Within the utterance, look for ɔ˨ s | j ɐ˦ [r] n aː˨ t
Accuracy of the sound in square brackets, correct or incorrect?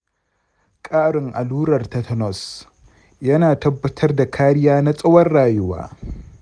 incorrect: none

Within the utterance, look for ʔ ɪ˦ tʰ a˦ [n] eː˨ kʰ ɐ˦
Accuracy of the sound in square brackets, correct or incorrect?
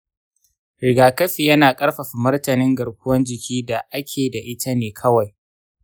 correct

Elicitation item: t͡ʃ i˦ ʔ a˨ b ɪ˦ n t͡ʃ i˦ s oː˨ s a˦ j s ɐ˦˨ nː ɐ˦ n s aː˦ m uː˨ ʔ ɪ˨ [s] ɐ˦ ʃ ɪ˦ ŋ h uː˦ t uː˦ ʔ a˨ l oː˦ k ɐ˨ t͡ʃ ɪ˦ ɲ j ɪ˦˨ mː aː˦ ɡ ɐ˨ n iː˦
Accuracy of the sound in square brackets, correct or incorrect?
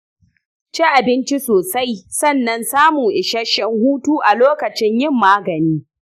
incorrect: ʃ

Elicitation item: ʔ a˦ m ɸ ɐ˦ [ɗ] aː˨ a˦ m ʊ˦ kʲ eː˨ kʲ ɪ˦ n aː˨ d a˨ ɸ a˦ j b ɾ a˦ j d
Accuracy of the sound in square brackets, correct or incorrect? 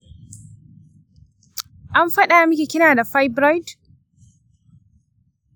correct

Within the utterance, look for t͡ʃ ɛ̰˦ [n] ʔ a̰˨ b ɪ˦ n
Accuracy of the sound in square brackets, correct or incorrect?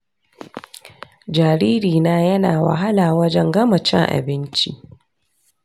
incorrect: ŋ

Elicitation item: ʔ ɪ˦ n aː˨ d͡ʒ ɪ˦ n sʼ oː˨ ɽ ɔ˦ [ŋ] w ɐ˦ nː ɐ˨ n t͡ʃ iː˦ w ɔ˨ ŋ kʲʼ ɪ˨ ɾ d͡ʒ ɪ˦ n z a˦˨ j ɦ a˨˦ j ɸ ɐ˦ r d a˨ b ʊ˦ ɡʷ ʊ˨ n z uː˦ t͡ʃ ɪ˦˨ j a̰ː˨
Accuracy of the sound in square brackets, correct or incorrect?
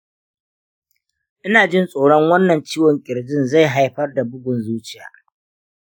correct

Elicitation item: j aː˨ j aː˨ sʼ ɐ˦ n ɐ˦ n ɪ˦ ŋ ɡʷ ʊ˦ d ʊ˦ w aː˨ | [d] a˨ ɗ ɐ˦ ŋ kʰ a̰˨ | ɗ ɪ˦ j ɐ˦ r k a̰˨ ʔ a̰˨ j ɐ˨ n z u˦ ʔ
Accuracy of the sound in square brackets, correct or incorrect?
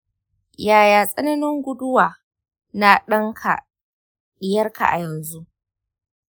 incorrect: n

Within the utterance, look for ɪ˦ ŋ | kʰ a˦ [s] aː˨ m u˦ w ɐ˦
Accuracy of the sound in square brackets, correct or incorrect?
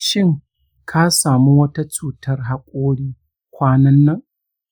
correct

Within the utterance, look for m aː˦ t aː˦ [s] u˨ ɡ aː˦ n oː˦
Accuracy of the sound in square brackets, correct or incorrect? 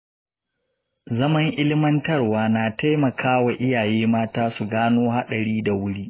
correct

